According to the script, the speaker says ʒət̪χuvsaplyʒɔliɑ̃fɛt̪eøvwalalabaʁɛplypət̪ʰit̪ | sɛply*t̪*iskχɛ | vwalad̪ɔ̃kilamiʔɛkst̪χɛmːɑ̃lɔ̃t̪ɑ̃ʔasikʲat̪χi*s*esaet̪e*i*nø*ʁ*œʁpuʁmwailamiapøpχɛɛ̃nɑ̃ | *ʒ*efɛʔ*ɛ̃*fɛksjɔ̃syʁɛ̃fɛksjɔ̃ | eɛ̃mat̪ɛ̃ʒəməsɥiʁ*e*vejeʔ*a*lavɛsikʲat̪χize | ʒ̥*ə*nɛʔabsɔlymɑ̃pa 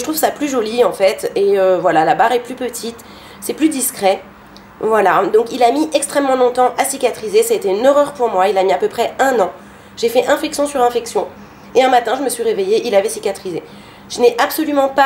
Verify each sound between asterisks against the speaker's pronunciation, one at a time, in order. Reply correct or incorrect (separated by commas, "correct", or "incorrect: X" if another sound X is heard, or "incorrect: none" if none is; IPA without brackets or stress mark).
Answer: incorrect: d̪, incorrect: z, incorrect: y, correct, correct, correct, correct, incorrect: i, correct